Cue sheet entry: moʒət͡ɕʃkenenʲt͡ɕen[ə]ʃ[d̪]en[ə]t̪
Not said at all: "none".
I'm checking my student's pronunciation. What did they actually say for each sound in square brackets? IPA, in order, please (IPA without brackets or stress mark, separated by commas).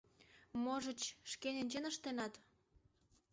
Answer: ə, t̪, ɑ